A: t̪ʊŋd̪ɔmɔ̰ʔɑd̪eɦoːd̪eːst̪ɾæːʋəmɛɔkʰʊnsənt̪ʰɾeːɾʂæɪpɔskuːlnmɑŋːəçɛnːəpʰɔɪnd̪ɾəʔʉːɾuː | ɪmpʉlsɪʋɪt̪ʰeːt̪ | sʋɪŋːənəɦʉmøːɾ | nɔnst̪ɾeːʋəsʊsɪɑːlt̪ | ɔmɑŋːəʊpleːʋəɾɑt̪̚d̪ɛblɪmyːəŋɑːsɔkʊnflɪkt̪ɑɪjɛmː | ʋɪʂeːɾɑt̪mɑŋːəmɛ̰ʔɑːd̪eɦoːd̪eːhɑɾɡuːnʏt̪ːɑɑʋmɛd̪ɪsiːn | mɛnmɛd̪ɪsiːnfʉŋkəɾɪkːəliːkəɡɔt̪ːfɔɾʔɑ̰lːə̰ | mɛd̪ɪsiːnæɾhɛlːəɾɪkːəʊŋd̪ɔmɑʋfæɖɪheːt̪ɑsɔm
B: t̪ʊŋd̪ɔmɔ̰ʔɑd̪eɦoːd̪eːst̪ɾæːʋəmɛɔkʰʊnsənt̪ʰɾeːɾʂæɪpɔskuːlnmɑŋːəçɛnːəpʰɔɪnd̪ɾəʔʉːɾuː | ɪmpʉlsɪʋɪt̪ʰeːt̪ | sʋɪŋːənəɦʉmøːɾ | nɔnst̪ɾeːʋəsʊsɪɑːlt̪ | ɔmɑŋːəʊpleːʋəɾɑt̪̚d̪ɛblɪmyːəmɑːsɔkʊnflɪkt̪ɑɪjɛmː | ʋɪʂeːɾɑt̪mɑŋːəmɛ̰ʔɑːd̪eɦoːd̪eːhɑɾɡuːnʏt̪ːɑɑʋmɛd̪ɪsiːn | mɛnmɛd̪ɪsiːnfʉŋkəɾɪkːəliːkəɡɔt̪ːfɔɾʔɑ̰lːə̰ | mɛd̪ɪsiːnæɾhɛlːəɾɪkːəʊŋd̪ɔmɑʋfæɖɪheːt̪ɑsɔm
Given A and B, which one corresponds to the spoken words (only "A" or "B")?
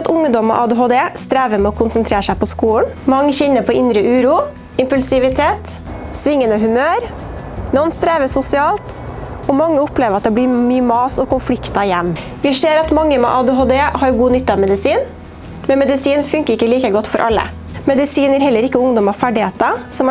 B